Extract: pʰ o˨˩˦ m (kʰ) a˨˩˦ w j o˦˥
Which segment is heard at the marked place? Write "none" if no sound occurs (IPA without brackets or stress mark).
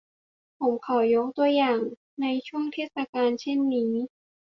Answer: kʰ